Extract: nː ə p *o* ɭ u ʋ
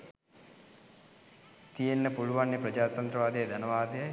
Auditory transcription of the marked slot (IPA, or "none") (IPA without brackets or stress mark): u